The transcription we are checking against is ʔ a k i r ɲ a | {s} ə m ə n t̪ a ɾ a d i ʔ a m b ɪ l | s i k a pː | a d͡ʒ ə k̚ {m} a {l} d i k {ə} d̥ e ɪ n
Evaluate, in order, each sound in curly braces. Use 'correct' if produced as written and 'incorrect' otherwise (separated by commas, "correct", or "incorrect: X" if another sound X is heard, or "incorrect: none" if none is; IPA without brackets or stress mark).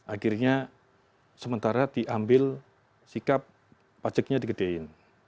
correct, incorrect: ɲ, incorrect: none, correct